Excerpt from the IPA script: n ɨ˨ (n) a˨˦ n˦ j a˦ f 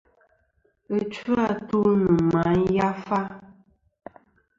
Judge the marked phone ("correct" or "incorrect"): incorrect